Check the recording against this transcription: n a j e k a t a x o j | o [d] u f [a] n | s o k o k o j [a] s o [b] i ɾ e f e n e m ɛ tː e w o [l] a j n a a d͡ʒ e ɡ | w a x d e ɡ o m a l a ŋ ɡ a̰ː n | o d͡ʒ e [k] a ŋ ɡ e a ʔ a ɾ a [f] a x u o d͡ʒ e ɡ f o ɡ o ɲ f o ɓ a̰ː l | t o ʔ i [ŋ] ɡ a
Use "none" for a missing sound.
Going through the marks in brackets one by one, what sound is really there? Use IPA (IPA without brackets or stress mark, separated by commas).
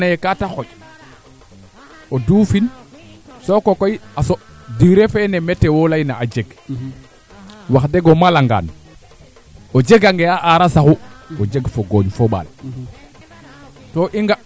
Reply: d, i, a, d, l, ɡ, s, ŋ